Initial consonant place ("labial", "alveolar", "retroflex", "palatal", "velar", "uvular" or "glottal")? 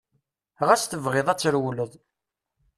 uvular